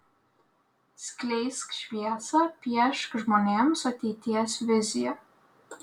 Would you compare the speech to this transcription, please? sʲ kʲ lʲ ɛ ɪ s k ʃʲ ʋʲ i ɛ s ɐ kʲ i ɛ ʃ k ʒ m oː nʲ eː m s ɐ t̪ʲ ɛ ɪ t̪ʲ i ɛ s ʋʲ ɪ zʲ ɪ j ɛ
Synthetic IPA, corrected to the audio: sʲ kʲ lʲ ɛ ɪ s k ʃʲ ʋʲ i ɛ s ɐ pʲ i ɛ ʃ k ʒ m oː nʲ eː m s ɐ t̪ʲ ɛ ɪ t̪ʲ i ɛ s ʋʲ ɪ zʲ ɪ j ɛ